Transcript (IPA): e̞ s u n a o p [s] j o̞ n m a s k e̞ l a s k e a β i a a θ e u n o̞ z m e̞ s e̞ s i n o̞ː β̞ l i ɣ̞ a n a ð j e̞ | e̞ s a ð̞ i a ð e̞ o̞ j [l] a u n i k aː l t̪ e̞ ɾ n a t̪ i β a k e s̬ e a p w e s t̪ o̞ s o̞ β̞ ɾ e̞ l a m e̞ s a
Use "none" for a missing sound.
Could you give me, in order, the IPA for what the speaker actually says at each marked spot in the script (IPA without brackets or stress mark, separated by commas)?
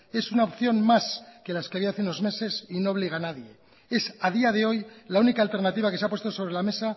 θ, l